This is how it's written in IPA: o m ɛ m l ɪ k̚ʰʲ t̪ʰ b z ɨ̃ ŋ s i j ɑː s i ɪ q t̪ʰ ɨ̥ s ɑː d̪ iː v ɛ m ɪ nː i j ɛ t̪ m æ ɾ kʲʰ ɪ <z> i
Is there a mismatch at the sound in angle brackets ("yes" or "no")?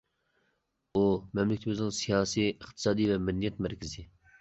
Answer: no